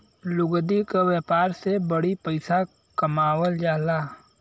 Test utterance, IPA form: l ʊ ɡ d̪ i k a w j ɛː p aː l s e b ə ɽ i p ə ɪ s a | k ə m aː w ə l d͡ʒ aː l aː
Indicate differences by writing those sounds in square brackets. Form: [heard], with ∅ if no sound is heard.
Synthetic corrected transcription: l ʊ ɡ d̪ i k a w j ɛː p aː [ɾ] s e b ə ɽ i p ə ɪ s a | k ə m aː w ə l d͡ʒ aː l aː